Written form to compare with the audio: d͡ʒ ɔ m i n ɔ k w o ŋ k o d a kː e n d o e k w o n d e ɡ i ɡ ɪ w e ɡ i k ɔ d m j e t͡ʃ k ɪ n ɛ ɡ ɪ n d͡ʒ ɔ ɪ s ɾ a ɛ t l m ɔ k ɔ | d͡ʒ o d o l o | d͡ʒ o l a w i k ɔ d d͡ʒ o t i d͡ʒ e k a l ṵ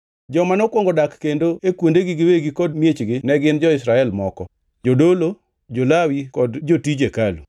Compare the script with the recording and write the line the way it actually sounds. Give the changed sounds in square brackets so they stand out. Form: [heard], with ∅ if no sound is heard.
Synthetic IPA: d͡ʒ ɔ m [a] n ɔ k w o ŋ [ɡ] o d a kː e n d o e k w o n d e ɡ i ɡ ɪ w e ɡ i k ɔ d m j e t͡ʃ [ɡ] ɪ n ɛ ɡ ɪ n d͡ʒ ɔ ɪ s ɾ a ɛ [∅] l m ɔ k ɔ | d͡ʒ o d o l o | d͡ʒ o l a w i k ɔ d d͡ʒ o t i d͡ʒ e k a l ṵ